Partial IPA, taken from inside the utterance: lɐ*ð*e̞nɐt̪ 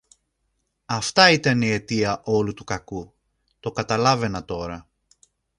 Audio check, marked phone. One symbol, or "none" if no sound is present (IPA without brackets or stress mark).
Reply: v